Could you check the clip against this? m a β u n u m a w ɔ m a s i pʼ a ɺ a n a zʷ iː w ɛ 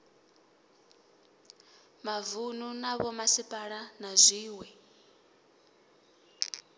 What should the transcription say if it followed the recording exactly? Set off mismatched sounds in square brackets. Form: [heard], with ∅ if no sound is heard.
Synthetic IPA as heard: m a [v] u n u [n] a [β] ɔ m a s i pʼ a ɺ a n a zʷ iː w ɛ